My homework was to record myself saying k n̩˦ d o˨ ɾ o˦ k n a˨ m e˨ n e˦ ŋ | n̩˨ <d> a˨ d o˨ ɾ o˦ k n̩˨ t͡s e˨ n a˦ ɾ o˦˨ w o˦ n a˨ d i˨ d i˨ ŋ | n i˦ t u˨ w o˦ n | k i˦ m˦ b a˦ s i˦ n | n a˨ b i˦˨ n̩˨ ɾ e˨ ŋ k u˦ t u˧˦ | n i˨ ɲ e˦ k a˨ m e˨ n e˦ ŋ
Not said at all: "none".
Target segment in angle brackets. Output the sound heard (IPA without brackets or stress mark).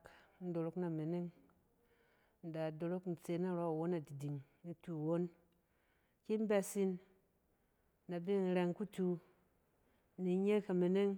d